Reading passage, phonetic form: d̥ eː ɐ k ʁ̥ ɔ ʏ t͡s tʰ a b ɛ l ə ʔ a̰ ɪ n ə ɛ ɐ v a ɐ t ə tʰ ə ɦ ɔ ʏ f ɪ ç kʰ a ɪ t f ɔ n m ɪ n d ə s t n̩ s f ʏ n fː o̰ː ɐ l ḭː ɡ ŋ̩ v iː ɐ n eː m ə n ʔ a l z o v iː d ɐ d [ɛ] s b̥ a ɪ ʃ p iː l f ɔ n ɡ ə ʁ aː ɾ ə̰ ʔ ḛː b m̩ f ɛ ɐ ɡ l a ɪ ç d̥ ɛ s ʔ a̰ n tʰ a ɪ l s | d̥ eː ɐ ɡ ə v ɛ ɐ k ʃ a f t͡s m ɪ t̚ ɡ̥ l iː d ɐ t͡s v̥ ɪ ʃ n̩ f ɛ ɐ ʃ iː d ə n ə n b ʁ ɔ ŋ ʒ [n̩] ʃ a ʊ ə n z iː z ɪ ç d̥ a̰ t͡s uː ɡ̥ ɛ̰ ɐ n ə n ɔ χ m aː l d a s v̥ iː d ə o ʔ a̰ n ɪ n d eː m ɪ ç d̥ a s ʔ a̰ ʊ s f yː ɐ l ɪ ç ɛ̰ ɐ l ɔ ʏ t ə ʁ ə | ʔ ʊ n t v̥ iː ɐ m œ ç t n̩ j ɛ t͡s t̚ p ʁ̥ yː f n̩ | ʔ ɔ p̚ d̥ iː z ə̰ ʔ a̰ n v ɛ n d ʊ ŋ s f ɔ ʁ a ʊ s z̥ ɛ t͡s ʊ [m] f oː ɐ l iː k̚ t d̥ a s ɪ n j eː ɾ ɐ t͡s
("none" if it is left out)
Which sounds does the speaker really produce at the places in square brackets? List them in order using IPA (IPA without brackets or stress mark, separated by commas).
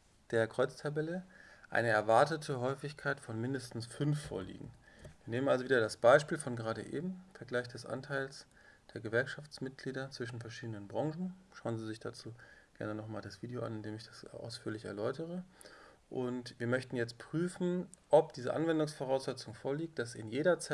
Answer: a, n̩, ŋ